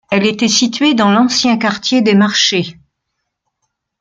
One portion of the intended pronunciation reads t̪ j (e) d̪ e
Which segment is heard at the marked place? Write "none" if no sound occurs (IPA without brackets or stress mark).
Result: e